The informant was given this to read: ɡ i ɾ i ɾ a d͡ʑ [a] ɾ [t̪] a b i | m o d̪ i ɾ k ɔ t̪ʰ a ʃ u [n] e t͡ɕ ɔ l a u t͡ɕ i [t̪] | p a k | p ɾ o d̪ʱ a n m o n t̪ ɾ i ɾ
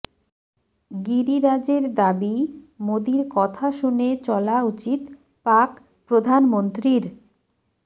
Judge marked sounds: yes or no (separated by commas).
no, no, yes, yes